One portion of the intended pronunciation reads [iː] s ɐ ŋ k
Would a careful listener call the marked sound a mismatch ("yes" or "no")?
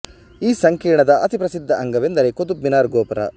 no